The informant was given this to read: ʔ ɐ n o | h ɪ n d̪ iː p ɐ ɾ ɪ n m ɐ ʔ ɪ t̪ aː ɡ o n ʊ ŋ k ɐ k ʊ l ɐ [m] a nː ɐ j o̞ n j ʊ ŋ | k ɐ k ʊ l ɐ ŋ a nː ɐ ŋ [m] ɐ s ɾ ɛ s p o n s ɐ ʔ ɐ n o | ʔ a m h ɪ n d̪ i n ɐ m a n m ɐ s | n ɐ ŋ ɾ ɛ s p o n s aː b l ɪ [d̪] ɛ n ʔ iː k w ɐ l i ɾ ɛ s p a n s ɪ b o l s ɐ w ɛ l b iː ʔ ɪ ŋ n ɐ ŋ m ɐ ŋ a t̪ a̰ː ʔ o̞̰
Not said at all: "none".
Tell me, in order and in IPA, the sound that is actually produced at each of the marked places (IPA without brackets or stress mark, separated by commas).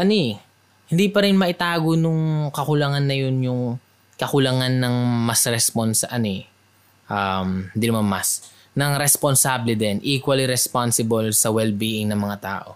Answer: ŋ, m, d̪